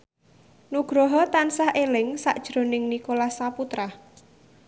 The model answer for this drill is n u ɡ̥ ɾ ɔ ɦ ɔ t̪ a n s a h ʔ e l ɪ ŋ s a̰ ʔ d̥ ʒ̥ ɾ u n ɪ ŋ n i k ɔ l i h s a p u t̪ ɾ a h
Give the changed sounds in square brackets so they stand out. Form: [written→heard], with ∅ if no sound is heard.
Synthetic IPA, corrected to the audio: n u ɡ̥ ɾ ɔ ɦ ɔ t̪ a n s a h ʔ e l ɪ ŋ s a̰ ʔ d̥ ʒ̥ ɾ [u→o] n ɪ ŋ n i k [ɔ→o] l [i→a] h s a p u t̪ ɾ a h